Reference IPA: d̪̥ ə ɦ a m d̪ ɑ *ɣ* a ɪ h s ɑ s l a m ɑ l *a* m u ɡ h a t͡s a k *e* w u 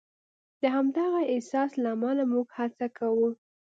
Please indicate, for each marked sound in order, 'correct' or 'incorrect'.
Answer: correct, correct, incorrect: a

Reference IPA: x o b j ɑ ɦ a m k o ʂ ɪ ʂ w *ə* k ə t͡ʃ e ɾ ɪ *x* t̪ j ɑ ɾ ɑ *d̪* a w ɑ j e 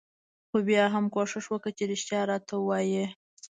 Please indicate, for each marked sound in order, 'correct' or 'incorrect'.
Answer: correct, incorrect: ʃ, incorrect: t̪

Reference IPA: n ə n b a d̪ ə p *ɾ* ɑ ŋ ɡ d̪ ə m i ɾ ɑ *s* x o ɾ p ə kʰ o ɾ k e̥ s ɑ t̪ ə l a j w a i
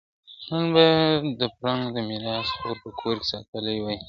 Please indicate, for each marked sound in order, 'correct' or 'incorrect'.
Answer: correct, correct

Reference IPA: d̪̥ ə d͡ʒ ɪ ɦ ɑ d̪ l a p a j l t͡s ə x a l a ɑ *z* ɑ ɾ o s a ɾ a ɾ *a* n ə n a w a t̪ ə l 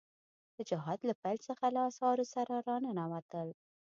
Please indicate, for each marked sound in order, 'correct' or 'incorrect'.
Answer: incorrect: s, incorrect: ɑ

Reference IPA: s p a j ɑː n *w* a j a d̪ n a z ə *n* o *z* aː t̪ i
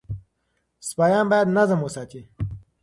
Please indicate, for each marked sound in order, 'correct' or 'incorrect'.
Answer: incorrect: b, incorrect: m, incorrect: s

